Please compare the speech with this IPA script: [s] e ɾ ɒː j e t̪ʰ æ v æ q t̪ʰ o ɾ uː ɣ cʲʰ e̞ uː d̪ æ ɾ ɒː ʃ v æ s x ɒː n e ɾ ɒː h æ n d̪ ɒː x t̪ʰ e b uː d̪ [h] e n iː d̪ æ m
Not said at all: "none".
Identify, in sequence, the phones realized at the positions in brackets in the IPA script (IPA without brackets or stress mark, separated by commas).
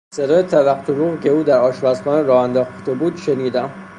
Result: s, ʃ